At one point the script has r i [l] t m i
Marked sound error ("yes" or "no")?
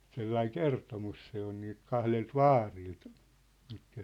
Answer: no